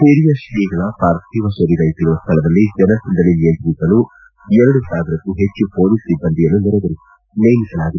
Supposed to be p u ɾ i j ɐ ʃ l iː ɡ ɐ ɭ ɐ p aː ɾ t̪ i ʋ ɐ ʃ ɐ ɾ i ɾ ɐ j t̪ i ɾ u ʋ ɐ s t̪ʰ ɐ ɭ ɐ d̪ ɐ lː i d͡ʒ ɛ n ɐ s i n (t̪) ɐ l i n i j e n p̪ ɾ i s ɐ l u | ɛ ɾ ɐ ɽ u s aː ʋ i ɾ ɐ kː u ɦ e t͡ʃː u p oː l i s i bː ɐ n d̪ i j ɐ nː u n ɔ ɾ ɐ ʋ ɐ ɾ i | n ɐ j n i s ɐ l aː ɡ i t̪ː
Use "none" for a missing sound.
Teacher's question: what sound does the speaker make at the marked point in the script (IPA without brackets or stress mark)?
d̪